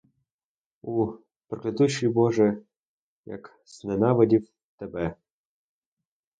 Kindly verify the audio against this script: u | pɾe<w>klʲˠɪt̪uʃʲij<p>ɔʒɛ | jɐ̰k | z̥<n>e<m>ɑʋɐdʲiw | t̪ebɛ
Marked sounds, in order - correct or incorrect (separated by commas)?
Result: incorrect, incorrect, correct, incorrect